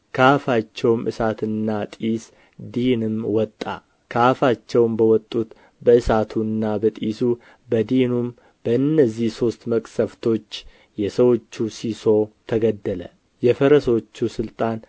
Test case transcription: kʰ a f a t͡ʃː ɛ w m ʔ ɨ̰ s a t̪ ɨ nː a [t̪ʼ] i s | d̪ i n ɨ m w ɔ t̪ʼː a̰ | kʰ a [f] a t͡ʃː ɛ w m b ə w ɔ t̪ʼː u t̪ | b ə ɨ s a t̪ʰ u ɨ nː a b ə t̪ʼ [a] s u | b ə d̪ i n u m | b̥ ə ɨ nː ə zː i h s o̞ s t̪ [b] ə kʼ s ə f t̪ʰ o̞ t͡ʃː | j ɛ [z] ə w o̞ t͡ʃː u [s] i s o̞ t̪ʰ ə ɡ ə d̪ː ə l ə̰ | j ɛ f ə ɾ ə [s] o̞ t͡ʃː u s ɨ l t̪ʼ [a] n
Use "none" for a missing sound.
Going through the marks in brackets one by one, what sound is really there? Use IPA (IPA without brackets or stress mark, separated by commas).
t̪ʼ, f, i, m, s, s, s, a